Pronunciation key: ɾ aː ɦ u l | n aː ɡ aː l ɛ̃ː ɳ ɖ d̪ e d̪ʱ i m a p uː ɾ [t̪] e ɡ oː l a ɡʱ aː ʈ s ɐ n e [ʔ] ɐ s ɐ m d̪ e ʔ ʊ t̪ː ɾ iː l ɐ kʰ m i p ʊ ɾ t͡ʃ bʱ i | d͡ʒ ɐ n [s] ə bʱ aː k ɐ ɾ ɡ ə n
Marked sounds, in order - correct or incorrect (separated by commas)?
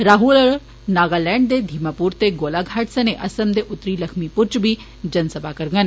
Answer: correct, correct, correct